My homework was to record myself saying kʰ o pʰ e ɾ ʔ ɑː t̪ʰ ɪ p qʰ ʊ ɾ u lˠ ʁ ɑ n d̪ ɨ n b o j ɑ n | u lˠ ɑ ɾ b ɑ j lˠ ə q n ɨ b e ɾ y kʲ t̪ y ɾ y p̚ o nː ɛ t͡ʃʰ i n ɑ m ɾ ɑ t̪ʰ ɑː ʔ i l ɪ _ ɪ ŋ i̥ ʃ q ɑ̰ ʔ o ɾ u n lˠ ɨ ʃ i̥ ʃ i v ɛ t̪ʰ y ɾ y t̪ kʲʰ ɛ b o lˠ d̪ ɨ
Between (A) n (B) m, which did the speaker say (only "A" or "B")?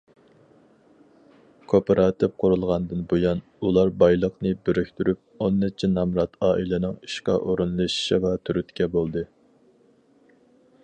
A